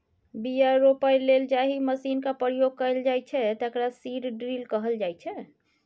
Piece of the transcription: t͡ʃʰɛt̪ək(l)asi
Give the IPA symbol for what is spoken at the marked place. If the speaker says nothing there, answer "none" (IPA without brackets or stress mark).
ɾ